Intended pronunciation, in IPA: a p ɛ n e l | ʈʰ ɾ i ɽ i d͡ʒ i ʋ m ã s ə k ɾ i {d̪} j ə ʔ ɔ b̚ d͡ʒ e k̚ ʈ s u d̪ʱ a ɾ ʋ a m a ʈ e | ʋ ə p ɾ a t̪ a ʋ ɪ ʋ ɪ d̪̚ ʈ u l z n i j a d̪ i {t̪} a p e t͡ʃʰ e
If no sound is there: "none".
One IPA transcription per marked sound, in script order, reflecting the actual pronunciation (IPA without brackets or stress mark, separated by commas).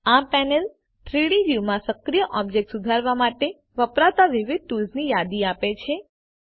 none, none